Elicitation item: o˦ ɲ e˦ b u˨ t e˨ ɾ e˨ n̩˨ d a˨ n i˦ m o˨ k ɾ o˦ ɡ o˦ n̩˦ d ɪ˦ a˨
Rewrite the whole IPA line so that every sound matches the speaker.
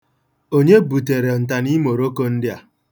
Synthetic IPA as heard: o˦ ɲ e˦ b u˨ t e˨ ɾ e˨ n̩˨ t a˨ n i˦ m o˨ ɾ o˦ k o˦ n̩˦ d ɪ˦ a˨